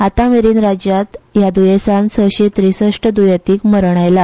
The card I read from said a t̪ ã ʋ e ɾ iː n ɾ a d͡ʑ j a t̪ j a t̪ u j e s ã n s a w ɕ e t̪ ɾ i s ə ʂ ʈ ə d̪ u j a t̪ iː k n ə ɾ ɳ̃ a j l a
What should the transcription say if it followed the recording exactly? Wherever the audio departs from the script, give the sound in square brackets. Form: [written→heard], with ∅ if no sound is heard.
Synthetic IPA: a t̪ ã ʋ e ɾ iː n ɾ a d͡ʑ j a t̪ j a [t̪→d̪] u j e s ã n s [a→ə] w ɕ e t̪ ɾ i s ə ʂ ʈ ə d̪ u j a t̪ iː k [n→m] ə ɾ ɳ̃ a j l a